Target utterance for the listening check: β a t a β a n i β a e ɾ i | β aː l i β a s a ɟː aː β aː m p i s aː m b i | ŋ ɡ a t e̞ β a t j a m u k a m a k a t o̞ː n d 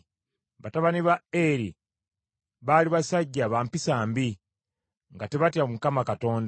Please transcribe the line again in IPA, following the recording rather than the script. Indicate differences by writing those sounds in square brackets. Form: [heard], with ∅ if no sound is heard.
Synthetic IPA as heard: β a t a β a n i β a e ɾ i | β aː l i β a s a ɟː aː β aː m p i s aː m b i | ŋ ɡ a t e̞ β a t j a m u k a m a k a t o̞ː n d